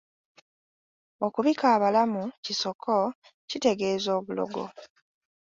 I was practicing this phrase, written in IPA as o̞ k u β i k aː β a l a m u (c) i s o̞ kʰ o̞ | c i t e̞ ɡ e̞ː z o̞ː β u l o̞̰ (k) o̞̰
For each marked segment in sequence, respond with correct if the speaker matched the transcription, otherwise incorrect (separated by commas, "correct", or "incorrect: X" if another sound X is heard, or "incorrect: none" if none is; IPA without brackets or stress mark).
correct, incorrect: ɡ